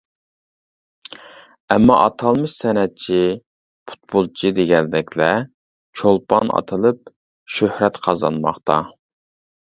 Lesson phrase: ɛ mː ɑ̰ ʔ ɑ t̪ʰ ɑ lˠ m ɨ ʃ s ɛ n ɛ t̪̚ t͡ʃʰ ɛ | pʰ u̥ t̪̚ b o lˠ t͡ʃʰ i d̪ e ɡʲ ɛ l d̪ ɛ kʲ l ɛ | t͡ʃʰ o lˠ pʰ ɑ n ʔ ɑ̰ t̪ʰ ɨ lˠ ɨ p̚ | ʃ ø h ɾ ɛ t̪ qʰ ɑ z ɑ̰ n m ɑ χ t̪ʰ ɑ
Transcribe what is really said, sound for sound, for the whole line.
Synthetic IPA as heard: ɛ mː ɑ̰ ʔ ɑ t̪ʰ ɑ lˠ m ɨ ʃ s ɛ n ɛ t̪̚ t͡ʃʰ i | pʰ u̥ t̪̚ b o lˠ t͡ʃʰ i d̪ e ɡʲ ɛ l d̪ ɛ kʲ l ɛ | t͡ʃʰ o lˠ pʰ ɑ n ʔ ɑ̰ t̪ʰ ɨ lˠ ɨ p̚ | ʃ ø h ɾ ɛ t̪ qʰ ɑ z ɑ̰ n m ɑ χ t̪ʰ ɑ